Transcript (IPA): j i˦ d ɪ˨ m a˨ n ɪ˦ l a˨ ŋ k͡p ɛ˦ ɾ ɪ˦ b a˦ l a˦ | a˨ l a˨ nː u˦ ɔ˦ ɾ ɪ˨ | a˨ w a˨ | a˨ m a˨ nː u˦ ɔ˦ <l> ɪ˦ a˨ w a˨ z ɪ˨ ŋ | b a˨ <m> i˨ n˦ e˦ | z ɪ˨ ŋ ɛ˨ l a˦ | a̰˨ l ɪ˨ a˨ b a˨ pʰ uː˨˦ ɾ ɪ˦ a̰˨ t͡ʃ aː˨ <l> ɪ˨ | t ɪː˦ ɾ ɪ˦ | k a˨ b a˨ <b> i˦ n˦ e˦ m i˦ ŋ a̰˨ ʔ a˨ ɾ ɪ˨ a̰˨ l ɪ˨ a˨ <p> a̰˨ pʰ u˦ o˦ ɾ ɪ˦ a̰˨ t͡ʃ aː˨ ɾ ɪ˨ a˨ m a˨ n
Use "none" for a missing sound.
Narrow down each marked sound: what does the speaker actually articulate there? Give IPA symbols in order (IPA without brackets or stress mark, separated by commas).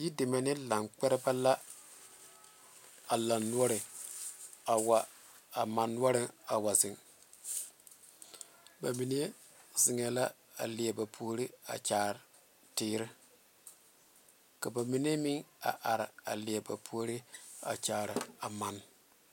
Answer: ɾ, m, ɾ, m, b